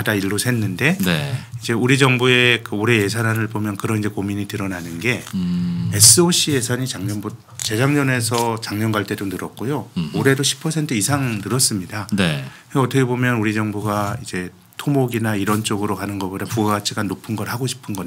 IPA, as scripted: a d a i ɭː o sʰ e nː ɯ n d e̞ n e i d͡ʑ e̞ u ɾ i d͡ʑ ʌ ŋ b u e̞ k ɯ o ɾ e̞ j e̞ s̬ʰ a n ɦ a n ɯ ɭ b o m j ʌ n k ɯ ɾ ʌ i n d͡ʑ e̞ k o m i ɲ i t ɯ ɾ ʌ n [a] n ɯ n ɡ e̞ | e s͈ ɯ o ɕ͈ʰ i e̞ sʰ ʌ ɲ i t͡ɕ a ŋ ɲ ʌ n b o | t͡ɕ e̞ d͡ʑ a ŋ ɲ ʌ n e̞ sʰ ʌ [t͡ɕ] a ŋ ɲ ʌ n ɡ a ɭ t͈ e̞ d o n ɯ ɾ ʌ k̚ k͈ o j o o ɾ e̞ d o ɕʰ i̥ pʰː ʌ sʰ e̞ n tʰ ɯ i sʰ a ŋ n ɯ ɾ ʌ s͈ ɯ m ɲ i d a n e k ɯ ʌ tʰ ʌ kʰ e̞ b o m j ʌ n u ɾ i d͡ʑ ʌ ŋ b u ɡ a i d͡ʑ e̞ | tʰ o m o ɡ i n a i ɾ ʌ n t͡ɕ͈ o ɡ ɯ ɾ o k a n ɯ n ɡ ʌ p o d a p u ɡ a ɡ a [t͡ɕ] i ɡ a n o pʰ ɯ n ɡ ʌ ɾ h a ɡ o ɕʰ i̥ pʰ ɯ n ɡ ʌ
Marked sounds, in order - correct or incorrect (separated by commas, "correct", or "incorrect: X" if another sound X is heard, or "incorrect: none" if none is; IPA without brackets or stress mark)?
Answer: correct, correct, incorrect: t͡ɕʰ